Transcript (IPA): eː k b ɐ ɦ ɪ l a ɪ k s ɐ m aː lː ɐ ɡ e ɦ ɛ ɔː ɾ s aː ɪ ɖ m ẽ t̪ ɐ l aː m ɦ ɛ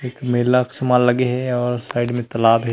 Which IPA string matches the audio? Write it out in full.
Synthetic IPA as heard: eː k m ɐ ɦ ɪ l a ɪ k s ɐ m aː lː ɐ ɡ e ɦ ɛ ɔː ɾ s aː ɪ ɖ m ẽ t̪ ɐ l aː b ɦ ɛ